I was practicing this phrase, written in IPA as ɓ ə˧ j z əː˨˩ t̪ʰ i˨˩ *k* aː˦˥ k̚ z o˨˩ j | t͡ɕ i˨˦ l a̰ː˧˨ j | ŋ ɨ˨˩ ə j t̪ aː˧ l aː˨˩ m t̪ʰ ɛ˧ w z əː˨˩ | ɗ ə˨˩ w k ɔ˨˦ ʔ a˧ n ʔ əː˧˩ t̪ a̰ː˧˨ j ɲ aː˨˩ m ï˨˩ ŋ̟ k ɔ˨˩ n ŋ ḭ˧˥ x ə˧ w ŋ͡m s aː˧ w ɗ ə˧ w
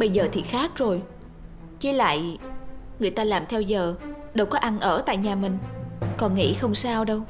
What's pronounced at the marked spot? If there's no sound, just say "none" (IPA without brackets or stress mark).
x